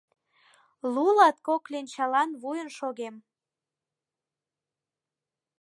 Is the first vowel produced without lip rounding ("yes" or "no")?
no